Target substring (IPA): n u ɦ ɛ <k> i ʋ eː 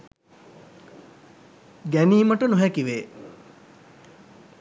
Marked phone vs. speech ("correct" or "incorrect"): correct